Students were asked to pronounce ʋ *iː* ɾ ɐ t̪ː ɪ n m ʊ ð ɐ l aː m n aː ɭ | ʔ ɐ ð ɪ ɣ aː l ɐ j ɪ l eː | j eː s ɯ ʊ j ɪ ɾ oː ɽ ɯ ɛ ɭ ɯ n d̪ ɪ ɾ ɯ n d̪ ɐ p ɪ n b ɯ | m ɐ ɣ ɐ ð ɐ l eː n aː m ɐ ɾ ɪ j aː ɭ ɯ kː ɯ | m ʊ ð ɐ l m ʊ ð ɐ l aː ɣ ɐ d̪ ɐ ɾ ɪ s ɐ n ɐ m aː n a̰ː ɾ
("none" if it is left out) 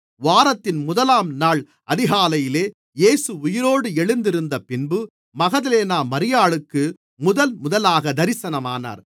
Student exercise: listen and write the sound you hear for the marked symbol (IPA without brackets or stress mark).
aː